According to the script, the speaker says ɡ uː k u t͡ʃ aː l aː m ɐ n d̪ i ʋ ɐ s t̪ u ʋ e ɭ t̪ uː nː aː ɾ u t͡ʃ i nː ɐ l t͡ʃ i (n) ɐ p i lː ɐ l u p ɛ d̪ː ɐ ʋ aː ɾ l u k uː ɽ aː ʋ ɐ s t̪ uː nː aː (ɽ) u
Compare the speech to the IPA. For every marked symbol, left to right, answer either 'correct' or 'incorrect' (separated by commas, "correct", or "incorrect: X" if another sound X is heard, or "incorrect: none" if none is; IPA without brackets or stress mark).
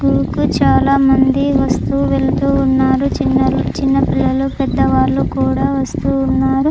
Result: incorrect: nː, incorrect: ɾ